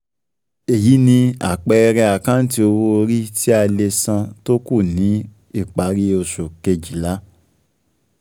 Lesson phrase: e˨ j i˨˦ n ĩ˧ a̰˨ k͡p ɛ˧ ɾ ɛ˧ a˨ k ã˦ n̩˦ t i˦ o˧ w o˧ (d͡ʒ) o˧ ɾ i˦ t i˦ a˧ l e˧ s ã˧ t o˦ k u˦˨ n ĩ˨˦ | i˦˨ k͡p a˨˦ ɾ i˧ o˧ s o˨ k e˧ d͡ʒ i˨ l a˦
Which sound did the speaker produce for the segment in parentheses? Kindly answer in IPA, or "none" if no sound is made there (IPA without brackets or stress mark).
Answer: none